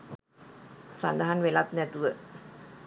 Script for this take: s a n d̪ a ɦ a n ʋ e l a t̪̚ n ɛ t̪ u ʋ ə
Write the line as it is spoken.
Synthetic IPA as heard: s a n d̪ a ɦ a n ʋ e l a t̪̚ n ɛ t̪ u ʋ ə